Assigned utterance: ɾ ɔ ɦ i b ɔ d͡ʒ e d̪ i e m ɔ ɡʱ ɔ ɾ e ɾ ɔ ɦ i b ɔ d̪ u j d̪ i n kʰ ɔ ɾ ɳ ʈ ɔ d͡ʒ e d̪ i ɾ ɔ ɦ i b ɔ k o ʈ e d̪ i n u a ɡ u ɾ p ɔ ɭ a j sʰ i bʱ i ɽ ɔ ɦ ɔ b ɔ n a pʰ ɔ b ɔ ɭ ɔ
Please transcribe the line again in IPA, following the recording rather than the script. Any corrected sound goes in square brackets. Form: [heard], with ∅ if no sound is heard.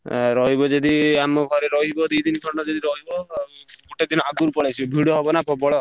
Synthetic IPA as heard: ɾ ɔ ɦ i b ɔ d͡ʒ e d̪ i [a] m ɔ ɡʱ ɔ ɾ e ɾ ɔ ɦ i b ɔ d̪ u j d̪ i n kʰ ɔ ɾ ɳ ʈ ɔ d͡ʒ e d̪ i ɾ ɔ ɦ i b ɔ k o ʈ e d̪ i n [ɔ] a ɡ u ɾ p ɔ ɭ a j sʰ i bʱ i ɽ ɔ ɦ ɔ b ɔ n a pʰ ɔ b ɔ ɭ ɔ

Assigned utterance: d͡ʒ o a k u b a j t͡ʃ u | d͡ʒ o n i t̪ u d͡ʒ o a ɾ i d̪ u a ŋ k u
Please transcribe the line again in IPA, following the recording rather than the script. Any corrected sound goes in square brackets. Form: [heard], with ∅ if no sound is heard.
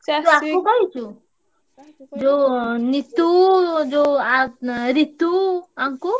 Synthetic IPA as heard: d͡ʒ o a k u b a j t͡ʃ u | d͡ʒ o n i t̪ u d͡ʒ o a ɾ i [t̪] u a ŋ k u

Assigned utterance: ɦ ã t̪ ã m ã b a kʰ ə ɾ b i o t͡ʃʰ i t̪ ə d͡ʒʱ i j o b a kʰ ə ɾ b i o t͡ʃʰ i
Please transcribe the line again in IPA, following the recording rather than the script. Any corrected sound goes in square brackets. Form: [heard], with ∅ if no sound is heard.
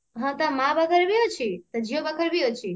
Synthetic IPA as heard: ɦ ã t̪ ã m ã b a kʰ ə ɾ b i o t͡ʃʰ i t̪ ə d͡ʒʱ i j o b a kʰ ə ɾ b i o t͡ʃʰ i

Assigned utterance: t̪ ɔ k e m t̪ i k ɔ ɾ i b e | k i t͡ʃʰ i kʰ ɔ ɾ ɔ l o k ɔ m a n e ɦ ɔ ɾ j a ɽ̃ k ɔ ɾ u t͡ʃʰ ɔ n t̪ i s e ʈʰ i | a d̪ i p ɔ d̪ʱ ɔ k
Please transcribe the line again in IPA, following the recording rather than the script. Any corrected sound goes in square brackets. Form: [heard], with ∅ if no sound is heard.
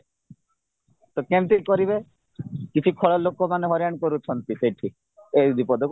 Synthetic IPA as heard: t̪ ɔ k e m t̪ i k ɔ ɾ i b e | k i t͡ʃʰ i kʰ ɔ [ɭ] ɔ l o k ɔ m a n e ɦ ɔ ɾ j a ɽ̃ k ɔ ɾ u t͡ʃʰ ɔ n t̪ i s e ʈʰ i | [e] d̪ i p ɔ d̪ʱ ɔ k

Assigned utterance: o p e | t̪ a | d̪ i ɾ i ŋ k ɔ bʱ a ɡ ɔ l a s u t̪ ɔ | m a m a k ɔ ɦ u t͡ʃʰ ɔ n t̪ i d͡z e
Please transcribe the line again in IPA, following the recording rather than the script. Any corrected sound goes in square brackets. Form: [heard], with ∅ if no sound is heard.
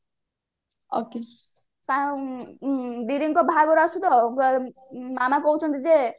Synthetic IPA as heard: o [k] e | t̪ a | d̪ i ɾ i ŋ k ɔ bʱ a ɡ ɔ [ɾ] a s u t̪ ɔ | m a m a k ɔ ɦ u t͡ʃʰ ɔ n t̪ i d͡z e

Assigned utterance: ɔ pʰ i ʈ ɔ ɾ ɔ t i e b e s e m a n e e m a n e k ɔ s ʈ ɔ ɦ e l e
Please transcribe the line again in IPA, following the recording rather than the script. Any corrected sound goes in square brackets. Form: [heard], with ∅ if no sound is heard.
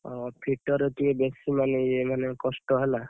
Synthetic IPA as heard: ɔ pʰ i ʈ ɔ ɾ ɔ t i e b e s [i] m a n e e m a n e k ɔ s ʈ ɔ ɦ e l [a]

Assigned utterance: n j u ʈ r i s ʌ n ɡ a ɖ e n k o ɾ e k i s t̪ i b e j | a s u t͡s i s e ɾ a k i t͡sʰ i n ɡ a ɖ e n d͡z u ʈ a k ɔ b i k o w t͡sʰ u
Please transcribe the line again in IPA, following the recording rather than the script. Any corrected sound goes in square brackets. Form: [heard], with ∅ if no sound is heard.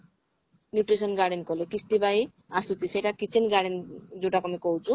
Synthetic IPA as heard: n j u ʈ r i s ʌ n ɡ a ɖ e n k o [l] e k i s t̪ i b [a] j | a s u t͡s i s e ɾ a k i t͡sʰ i n ɡ a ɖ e n d͡z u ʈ a k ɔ [m] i k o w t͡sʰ u

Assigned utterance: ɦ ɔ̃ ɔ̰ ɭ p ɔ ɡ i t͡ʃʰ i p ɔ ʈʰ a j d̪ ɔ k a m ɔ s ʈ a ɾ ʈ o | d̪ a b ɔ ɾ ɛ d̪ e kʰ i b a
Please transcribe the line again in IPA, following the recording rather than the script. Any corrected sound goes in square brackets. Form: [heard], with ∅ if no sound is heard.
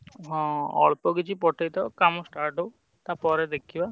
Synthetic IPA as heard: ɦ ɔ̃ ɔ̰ ɭ p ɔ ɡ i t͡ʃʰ i p ɔ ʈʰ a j [t̪] ɔ k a m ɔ s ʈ a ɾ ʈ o | [t̪] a [p] ɔ ɾ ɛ d̪ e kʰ i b a

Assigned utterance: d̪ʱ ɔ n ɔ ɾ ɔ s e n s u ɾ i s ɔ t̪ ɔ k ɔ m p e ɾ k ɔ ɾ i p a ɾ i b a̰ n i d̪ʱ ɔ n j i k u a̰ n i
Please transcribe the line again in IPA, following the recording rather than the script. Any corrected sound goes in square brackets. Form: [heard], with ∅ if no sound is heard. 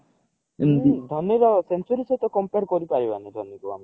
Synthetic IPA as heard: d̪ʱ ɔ n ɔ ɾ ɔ s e n s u ɾ i s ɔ t̪ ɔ k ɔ m p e ɾ k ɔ ɾ i p a ɾ i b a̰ n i d̪ʱ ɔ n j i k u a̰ [m] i

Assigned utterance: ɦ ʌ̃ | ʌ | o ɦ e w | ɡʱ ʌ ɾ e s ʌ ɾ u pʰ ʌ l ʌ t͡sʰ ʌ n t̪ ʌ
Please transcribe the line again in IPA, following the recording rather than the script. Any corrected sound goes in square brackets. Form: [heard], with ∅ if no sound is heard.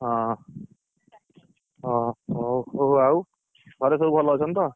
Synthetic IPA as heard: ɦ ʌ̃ | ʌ | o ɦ [a] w | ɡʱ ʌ ɾ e s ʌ ɾ u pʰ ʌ l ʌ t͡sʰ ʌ n t̪ ʌ

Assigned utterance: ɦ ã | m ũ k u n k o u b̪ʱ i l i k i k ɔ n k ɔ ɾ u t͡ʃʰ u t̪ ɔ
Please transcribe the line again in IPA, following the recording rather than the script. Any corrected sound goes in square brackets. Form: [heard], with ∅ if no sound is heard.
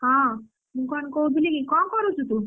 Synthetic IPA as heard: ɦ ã | m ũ k [ɔ] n k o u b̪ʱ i l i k i k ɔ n k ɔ ɾ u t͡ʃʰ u t̪ [u]

